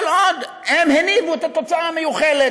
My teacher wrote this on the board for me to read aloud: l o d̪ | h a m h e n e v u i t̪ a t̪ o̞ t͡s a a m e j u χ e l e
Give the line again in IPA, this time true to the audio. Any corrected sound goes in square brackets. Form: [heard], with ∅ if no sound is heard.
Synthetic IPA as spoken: l o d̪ | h [e] m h e n [i] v u [e] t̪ a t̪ o̞ t͡s a a m e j u χ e l e